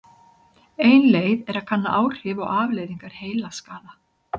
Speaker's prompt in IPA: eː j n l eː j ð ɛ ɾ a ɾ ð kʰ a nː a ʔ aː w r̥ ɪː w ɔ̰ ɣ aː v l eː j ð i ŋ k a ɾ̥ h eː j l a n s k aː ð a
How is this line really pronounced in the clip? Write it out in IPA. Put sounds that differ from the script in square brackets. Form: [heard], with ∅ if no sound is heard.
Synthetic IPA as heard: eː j n l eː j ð ɛ ɾ a [∅] ð kʰ a nː a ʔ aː w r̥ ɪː [v] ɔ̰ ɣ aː v l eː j ð i ŋ k a ɾ̥ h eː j l a [∅] s k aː ð a